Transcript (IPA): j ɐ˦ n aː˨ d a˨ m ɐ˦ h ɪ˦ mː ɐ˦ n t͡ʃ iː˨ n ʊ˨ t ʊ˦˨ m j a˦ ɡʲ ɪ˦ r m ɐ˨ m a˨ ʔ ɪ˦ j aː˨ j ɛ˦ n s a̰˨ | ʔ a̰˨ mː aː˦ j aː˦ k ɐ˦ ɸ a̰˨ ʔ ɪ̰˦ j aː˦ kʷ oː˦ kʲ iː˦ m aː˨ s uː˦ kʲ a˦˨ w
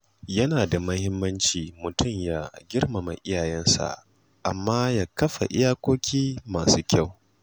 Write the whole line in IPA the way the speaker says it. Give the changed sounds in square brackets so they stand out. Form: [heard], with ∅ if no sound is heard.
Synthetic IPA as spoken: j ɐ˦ n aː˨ d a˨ m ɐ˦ h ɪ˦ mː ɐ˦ n t͡ʃ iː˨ [m] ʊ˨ t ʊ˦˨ m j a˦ ɡʲ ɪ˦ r m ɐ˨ m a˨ ʔ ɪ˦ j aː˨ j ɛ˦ n s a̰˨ | ʔ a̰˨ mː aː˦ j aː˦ k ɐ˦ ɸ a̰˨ ʔ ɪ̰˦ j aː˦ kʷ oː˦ kʲ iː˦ m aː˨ s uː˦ kʲ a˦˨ w